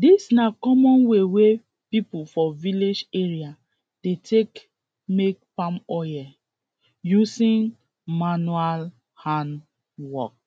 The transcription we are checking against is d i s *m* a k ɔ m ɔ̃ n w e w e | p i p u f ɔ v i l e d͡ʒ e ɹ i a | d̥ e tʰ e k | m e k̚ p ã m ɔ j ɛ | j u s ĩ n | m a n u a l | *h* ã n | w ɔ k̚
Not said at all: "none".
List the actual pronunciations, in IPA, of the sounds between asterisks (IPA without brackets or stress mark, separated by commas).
n, h